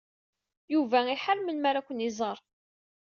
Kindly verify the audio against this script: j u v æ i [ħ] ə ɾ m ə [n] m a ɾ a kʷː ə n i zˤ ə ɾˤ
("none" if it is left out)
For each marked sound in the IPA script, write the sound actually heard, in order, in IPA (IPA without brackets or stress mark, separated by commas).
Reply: ħ, n